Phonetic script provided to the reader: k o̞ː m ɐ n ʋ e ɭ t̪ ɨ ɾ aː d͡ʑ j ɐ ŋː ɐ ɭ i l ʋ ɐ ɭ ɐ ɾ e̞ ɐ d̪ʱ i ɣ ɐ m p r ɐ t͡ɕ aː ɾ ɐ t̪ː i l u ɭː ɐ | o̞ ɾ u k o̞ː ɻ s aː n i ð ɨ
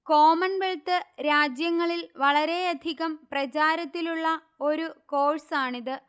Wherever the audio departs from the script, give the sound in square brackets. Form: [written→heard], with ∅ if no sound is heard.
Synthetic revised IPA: k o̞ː m ɐ n ʋ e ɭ t̪ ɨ ɾ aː d͡ʑ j ɐ ŋː ɐ ɭ i l ʋ ɐ ɭ ɐ ɾ e̞ ɐ d̪ʱ i ɣ ɐ m p r ɐ t͡ɕ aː ɾ ɐ t̪ː i l u ɭː ɐ | o̞ ɾ u k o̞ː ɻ s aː [n→ɳ] i ð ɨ